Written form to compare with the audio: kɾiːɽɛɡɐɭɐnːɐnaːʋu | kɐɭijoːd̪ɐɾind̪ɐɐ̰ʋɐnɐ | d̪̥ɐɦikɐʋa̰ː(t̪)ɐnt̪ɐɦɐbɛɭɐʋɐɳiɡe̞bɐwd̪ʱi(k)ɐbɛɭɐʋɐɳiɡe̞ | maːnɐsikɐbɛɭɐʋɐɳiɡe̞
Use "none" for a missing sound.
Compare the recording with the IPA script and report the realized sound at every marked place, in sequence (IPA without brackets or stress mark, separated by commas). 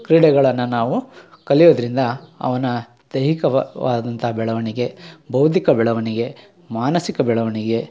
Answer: d̪, k